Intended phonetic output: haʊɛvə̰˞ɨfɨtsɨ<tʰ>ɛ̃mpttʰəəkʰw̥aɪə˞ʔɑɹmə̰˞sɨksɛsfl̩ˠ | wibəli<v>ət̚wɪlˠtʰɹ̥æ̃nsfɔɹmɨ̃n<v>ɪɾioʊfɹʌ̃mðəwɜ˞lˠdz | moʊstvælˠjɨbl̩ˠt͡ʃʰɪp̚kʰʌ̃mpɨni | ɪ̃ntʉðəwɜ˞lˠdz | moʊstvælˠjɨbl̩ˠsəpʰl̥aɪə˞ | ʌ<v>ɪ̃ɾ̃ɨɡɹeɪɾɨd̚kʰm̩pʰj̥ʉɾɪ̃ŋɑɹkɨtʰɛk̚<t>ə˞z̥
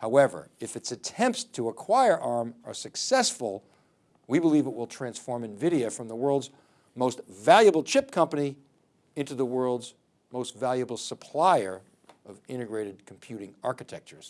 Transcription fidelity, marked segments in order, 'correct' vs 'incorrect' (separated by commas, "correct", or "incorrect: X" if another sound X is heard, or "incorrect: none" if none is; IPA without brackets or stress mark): correct, correct, correct, correct, incorrect: t͡ʃ